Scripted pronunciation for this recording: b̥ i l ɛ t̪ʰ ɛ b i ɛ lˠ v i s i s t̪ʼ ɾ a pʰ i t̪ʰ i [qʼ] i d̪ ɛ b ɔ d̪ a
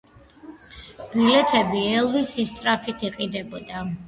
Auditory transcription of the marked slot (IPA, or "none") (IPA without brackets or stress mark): qʼ